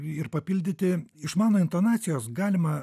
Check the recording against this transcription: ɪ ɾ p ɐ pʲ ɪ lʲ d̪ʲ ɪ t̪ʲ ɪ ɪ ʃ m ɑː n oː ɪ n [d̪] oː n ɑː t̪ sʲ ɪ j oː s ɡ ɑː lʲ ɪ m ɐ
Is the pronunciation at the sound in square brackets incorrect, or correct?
incorrect